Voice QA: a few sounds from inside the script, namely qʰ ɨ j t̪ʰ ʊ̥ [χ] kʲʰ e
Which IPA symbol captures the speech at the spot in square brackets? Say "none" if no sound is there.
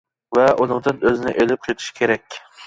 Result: ʃ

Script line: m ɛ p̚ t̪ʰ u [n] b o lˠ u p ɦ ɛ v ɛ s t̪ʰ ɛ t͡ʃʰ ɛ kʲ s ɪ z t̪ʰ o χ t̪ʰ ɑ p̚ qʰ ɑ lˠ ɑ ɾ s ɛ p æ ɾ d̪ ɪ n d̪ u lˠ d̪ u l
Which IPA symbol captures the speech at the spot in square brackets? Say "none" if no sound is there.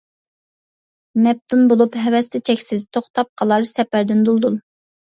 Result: n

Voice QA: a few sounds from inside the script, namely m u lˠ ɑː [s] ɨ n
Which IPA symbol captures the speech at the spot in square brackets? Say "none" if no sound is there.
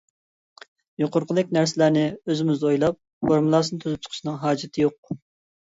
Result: s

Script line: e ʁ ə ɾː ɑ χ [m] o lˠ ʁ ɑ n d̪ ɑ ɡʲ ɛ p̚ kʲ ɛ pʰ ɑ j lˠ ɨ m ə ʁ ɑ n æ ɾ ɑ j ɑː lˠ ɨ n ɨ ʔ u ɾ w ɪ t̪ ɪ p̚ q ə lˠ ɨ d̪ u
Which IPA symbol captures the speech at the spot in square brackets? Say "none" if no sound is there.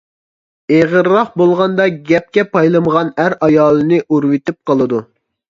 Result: b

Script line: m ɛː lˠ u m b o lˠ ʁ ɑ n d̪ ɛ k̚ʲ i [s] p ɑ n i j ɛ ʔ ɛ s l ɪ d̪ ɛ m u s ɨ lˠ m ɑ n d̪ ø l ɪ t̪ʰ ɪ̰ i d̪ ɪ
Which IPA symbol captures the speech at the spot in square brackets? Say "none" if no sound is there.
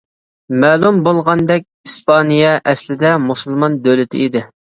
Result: s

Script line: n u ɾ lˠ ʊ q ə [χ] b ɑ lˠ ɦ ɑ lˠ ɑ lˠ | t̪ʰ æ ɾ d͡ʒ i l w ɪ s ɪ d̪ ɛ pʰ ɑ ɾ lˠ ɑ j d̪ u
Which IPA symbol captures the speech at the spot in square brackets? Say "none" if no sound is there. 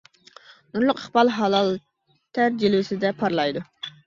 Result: χ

